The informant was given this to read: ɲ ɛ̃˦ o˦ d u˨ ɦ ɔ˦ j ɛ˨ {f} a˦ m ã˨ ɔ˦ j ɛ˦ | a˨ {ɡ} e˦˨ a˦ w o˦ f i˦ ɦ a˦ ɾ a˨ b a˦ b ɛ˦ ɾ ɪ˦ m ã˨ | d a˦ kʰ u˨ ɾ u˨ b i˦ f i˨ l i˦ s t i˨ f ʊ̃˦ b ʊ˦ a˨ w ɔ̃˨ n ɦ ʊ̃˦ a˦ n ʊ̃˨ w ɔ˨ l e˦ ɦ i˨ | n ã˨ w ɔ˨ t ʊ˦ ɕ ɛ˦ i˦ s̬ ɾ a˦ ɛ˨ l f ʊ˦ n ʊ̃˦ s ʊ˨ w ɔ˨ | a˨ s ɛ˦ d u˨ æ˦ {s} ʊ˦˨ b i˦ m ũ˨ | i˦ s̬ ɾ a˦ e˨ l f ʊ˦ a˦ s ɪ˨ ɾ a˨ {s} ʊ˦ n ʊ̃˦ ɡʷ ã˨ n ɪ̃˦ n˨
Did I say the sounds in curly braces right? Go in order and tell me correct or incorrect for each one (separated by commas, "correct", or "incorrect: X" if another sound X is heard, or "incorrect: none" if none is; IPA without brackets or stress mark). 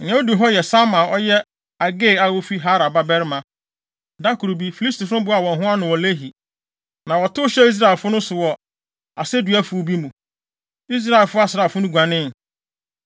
incorrect: s, correct, incorrect: f, incorrect: f